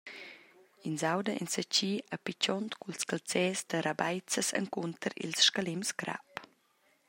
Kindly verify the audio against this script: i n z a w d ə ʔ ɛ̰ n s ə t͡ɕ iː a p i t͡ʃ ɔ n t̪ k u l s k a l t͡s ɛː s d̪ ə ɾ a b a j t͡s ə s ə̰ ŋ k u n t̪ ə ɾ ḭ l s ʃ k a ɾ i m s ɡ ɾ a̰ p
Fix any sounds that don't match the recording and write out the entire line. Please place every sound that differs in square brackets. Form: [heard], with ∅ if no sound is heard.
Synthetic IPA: i n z a w d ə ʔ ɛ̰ n s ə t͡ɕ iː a p i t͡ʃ ɔ n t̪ k u l s k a l t͡s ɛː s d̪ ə ɾ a b a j t͡s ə s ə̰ ŋ k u n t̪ ə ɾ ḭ l s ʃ k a [l] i m s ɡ ɾ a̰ p